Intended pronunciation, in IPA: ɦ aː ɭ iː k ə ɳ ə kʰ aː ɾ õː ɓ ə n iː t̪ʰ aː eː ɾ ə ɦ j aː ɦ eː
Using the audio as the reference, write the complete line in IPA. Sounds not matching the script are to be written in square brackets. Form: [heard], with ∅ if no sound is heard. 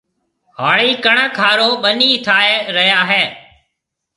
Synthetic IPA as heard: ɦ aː ɭ iː k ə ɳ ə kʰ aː ɾ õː ɓ ə n iː t̪ʰ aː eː ɾ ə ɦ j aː ɦ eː